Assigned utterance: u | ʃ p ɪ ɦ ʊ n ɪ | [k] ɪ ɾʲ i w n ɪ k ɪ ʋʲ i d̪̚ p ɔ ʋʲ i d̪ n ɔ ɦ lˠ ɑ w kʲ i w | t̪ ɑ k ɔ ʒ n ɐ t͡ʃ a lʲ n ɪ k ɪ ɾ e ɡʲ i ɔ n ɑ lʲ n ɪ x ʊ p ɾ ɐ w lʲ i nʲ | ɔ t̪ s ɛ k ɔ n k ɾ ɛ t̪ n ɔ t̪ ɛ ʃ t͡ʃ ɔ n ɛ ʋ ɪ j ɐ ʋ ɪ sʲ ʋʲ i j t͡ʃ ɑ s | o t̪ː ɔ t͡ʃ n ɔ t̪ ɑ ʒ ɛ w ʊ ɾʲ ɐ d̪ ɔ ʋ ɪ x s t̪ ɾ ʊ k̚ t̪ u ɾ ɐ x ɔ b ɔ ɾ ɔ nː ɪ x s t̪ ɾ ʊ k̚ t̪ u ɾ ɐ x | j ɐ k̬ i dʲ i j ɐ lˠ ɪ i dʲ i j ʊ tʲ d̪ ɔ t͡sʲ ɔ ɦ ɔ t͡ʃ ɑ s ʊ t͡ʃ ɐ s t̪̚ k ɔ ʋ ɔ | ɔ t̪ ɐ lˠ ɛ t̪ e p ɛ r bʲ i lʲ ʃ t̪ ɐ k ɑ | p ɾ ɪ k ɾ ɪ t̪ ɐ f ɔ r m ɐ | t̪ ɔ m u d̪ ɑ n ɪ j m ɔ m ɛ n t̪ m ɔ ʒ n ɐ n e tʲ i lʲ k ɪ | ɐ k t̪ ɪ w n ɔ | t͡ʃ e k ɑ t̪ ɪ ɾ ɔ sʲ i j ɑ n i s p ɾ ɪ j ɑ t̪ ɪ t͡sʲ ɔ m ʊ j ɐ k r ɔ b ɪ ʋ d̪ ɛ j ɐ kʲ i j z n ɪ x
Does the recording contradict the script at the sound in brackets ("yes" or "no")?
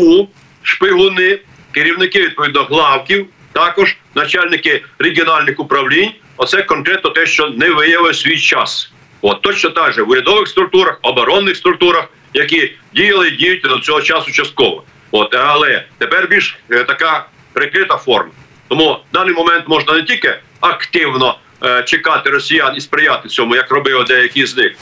no